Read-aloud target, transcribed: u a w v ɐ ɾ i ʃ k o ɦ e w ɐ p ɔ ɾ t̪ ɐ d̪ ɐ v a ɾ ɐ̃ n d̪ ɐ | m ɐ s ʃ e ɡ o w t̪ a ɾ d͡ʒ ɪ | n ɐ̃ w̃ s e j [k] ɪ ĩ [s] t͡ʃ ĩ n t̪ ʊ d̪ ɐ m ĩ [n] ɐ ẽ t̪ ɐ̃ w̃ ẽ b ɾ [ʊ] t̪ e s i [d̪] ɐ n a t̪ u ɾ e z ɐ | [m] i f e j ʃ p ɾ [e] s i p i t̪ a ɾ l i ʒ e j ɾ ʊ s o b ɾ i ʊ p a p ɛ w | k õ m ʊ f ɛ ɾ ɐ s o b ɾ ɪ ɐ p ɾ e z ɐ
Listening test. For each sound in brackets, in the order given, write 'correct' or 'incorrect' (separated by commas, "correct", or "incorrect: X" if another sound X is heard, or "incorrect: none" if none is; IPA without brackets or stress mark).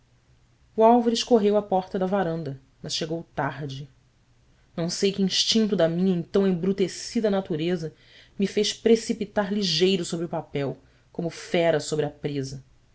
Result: correct, incorrect: ʃ, incorrect: ɲ, incorrect: u, correct, correct, correct